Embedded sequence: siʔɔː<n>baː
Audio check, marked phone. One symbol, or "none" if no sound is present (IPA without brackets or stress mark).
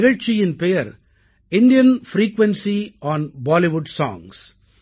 n